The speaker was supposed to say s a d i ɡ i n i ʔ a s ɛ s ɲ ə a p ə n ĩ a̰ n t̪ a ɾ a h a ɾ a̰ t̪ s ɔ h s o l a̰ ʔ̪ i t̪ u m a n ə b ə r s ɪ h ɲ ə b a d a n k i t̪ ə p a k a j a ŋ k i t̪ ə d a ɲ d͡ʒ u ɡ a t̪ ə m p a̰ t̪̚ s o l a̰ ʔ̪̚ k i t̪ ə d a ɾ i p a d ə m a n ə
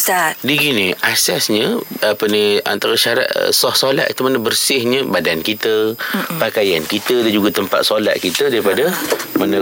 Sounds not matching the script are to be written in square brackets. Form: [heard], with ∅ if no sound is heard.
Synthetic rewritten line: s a d i ɡ i n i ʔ a s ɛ s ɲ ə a p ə n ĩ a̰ n t̪ a ɾ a [ʃ] a ɾ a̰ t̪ s ɔ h s o l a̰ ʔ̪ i t̪ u m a n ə b ə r s ɪ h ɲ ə b a d a n k i t̪ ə p a k a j a [n] k i t̪ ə d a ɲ d͡ʒ u ɡ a t̪ ə m p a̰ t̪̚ s o l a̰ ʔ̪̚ k i t̪ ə d a ɾ i p a d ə m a n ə